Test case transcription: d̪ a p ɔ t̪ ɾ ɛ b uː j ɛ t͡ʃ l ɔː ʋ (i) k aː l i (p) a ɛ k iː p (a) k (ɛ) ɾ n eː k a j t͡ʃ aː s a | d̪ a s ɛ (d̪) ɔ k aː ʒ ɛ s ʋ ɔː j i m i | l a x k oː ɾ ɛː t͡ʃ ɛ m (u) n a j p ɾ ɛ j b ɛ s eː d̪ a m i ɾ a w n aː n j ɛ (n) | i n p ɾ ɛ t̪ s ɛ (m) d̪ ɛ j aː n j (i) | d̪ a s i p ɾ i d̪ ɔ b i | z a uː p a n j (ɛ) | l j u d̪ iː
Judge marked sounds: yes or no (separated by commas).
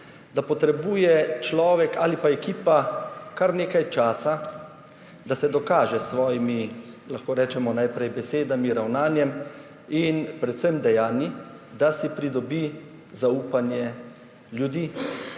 no, yes, yes, no, yes, no, no, yes, yes, yes